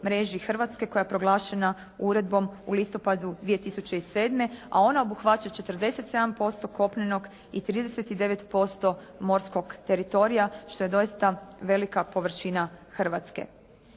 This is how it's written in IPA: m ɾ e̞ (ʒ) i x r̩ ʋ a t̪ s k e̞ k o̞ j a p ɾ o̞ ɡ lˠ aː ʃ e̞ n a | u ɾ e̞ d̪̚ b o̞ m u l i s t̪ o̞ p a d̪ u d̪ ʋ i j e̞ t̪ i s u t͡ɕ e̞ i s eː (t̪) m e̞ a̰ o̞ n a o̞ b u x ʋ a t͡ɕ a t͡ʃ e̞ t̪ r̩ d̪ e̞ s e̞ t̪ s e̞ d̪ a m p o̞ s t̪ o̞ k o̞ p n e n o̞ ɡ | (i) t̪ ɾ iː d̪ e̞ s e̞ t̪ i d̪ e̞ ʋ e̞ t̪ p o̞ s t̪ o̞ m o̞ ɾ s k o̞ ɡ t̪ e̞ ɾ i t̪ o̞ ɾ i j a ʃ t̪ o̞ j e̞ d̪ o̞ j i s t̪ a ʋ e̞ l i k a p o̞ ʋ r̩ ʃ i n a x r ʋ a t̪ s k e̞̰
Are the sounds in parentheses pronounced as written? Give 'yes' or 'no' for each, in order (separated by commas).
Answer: yes, no, yes